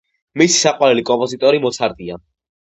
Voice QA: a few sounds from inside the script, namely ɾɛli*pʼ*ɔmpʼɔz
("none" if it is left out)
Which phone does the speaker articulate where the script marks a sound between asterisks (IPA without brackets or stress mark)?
kʼ